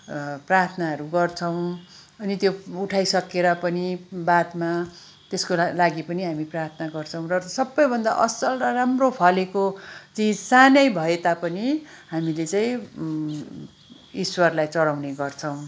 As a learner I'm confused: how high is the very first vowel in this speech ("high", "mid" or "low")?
low